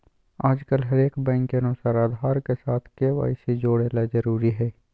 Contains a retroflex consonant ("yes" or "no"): yes